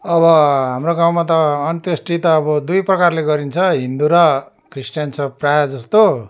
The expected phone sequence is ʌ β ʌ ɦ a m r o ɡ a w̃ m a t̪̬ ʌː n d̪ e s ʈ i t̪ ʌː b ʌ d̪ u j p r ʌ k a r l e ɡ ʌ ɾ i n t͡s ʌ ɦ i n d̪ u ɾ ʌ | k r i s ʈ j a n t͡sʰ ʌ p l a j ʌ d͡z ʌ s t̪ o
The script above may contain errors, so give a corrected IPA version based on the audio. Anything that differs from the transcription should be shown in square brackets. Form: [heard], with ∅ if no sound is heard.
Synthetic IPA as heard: ʌ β ʌ ɦ a m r o ɡ a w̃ m a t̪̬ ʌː n [t̪] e s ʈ i t̪ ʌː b ʌ d̪ u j p r ʌ k a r l e ɡ ʌ ɾ i n [t͡sʰ] ʌ ɦ i n d̪ u ɾ ʌ | k r i s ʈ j a n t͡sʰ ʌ p [r] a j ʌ d͡z ʌ s t̪ o